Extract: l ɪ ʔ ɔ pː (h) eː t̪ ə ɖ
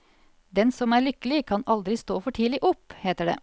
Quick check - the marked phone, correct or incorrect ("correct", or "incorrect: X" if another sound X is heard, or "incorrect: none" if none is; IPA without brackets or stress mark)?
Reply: correct